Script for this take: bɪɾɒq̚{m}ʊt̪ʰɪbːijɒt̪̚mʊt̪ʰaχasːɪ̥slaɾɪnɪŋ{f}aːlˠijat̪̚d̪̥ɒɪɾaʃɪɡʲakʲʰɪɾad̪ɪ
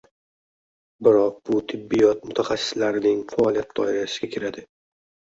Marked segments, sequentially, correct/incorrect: incorrect, correct

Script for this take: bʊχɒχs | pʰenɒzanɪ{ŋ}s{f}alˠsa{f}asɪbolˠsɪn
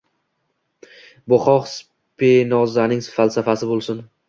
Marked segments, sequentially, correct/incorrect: correct, correct, correct

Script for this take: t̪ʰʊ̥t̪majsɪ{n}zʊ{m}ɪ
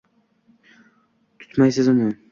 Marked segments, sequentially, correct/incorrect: incorrect, incorrect

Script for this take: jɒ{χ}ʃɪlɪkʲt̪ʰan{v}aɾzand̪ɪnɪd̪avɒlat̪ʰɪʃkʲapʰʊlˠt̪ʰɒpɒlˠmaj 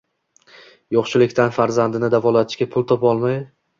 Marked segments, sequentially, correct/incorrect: correct, incorrect

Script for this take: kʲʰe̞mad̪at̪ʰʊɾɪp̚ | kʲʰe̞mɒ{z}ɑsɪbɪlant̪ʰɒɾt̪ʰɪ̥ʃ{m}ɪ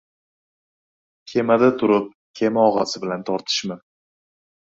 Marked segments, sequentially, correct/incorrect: incorrect, correct

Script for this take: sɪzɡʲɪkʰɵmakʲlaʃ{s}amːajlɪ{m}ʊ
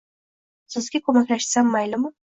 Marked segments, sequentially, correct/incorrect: correct, correct

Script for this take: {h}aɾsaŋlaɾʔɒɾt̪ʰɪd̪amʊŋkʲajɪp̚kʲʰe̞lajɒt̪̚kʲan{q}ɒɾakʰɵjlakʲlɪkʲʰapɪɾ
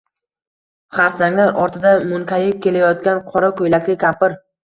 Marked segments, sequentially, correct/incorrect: incorrect, incorrect

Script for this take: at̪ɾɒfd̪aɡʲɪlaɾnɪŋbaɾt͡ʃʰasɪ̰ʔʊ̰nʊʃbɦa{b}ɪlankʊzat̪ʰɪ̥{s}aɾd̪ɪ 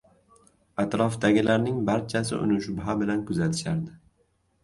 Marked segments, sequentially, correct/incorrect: correct, incorrect

